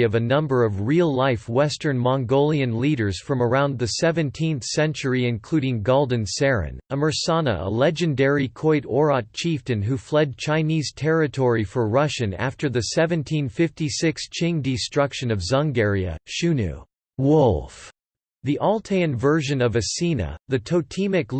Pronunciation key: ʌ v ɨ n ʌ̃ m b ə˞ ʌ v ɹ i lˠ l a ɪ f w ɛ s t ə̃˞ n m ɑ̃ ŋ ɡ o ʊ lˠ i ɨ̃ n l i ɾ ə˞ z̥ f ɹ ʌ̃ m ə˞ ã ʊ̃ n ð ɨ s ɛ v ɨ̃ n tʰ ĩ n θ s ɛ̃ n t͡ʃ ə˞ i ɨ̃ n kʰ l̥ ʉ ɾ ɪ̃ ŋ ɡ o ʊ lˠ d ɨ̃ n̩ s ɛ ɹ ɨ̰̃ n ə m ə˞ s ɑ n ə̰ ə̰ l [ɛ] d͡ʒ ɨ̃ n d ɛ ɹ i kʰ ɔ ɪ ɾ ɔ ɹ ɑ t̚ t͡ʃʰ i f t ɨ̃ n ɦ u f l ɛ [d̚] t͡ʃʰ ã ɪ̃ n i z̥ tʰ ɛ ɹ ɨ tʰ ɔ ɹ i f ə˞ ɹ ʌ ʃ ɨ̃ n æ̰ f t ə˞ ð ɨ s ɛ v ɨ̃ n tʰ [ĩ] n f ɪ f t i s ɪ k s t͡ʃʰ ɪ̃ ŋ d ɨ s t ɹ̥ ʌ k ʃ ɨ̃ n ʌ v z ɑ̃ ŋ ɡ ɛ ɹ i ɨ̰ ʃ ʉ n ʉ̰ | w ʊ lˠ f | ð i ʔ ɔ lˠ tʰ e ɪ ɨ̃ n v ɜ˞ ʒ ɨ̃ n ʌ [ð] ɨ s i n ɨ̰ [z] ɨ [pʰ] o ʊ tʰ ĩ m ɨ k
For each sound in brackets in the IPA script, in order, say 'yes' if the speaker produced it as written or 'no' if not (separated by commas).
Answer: yes, yes, yes, no, no, no